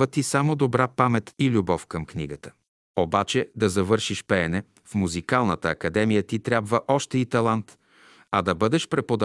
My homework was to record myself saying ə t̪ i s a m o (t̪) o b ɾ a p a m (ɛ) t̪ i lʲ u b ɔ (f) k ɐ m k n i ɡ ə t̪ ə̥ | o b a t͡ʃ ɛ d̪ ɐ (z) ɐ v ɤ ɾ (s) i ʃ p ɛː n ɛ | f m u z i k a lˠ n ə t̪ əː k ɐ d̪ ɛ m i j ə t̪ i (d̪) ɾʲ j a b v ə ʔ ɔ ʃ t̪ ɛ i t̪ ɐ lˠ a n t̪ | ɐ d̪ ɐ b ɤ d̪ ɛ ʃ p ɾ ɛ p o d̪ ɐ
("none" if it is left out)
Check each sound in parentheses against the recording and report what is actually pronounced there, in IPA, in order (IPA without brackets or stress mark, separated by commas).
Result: d̪, ɛ, f, z, ʃ, t̪